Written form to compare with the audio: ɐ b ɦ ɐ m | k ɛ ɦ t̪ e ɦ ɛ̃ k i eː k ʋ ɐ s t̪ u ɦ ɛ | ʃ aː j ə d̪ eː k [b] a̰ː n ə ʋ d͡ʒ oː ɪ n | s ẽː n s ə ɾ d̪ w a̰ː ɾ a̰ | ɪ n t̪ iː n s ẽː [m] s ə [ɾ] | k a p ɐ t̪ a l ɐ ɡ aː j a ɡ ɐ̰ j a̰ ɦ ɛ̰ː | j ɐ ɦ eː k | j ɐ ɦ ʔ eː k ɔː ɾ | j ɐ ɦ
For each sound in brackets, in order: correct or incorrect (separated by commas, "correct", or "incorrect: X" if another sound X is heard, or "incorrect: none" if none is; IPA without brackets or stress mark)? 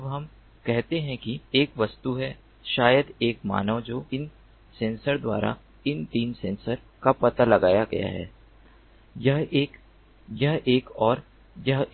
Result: incorrect: m, incorrect: n, correct